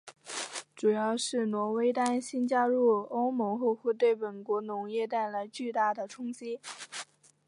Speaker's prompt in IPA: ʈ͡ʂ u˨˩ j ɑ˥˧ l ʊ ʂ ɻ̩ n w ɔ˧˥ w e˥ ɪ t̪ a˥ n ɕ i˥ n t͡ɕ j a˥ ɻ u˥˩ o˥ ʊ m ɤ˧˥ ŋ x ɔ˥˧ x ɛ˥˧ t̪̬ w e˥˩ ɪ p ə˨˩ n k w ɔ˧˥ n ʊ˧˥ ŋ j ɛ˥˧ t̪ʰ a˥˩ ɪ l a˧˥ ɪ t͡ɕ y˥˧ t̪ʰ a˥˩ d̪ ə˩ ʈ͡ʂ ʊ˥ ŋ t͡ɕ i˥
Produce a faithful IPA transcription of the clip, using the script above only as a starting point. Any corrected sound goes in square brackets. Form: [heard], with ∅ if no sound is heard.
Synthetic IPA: ʈ͡ʂ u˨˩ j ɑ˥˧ [∅] ʊ ʂ ɻ̩ n w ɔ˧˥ w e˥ ɪ t̪ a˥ n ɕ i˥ n t͡ɕ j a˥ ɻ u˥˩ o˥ ʊ m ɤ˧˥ ŋ x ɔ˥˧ x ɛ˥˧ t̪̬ w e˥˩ ɪ p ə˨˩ n k w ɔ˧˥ n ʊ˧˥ ŋ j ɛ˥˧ [t̪] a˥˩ ɪ l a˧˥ ɪ t͡ɕ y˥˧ [t̪] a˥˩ d̪ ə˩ [ʈ͡ʂʰ] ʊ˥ ŋ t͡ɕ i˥